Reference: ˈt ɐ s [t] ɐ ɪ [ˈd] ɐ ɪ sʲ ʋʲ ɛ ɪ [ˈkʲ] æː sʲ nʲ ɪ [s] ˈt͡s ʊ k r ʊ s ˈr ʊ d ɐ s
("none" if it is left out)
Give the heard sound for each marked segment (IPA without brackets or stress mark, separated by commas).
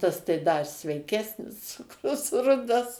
t, d, kʲ, s